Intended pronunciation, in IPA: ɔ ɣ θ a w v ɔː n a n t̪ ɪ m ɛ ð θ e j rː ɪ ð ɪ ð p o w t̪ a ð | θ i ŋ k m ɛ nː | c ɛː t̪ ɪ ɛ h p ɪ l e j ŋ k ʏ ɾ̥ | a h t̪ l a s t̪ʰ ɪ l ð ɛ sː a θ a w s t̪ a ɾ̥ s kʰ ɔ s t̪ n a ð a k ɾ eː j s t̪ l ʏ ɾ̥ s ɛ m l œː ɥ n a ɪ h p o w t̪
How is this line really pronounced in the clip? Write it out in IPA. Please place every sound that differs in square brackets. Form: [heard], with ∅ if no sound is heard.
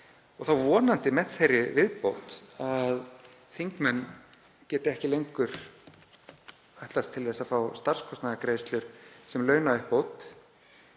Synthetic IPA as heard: ɔ ɣ θ a w v ɔː n a n t̪ ɪ m ɛ ð θ e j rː ɪ [v] ɪ ð p o w t̪ a ð | θ i ŋ k m ɛ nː | c ɛː t̪ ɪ ɛ h [c] ɪ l e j ŋ k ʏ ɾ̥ | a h t̪ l a s t̪ʰ ɪ l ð ɛ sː a [f] a w s t̪ a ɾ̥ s kʰ ɔ s t̪ n a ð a k ɾ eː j s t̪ l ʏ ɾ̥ s ɛ m l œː ɥ n a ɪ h p o w t̪